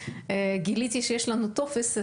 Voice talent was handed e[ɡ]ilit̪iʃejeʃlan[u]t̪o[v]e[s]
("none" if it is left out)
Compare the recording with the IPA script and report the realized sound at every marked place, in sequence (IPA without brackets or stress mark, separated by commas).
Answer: ɡ, u, f, s